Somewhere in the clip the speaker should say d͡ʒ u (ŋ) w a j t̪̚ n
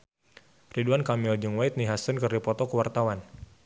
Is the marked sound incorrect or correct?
correct